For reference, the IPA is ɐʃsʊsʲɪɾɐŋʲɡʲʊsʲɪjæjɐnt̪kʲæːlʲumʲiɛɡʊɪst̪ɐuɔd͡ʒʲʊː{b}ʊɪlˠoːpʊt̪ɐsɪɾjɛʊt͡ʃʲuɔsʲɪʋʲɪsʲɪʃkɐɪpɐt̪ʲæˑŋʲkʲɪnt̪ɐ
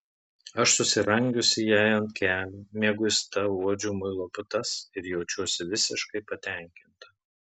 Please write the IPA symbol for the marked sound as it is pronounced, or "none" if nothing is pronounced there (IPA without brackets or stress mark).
m